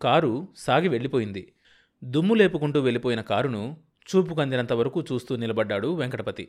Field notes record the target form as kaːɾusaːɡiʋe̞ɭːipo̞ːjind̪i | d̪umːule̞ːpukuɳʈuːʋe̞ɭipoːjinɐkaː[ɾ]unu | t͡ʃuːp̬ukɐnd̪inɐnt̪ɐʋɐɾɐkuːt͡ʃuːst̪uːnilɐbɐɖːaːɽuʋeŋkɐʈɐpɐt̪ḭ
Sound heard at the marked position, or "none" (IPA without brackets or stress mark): ɾ